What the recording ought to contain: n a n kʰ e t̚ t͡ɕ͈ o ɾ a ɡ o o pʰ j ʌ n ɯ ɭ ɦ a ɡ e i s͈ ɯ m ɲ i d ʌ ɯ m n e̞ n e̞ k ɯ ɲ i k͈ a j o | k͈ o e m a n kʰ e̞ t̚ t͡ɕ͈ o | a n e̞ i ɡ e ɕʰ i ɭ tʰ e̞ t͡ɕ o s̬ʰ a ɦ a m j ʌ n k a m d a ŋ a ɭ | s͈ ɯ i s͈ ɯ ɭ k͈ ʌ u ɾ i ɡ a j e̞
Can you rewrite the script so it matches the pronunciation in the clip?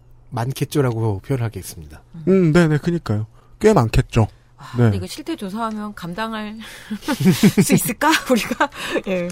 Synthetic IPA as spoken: m a n kʰ e t̚ t͡ɕ͈ o ɾ a ɡ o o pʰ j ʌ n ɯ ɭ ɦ a ɡ e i s͈ ɯ m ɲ i d a ɯ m n e̞ n e̞ k ɯ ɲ i k͈ a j o | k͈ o e m a n kʰ e̞ t̚ t͡ɕ͈ o | a n e̞ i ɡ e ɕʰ i ɭ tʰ e̞ t͡ɕ o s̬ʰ a ɦ a m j ʌ n k a m d a ŋ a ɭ | s͈ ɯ i s͈ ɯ ɭ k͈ a u ɾ i ɡ a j e̞